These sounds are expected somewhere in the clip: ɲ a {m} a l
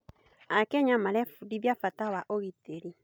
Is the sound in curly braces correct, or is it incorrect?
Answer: correct